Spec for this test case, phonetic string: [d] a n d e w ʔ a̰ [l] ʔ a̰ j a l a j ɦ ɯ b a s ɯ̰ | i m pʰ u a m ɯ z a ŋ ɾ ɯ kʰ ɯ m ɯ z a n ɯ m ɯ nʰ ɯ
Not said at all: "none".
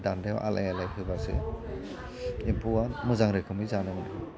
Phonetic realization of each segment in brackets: d, l

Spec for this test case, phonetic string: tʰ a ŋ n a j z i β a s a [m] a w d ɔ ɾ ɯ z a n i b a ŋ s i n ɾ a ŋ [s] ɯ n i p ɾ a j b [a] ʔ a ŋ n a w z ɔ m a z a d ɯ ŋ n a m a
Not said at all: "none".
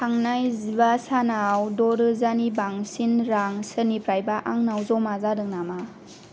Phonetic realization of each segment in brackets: n, s, a

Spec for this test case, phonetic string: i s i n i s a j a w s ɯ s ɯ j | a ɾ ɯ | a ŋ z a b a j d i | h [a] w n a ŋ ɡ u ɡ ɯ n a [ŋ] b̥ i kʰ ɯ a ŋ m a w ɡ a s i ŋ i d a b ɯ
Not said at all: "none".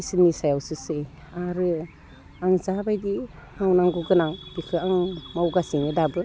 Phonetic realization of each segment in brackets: a, ŋ

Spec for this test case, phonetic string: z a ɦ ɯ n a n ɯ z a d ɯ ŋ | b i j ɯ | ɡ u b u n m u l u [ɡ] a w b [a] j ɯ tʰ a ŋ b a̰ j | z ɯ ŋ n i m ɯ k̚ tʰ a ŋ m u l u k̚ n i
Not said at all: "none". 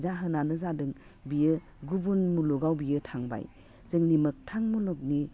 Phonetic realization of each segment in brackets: ɡ, i

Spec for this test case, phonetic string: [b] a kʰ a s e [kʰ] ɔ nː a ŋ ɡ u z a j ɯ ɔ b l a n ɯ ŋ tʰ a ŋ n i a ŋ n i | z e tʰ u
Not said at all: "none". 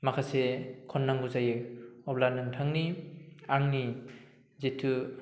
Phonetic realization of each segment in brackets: m, kʰ

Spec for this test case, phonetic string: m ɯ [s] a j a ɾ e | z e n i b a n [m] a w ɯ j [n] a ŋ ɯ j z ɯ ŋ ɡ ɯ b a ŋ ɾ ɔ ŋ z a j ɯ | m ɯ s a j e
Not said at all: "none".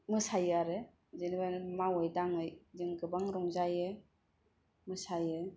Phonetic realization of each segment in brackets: s, m, d

